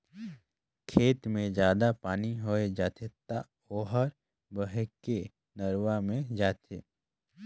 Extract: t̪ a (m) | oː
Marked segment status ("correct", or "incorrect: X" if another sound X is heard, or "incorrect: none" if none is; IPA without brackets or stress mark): incorrect: none